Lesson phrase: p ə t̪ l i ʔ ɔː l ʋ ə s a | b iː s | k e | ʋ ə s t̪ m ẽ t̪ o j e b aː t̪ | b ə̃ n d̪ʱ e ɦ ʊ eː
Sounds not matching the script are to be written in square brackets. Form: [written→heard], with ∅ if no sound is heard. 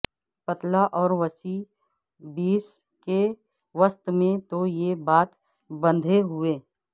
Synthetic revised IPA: p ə t̪ l [i→a] ʔ ɔː [l→ɾ] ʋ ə s [a→i] | b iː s | k e | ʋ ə s t̪ m ẽ t̪ o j e b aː t̪ | b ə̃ n d̪ʱ e ɦ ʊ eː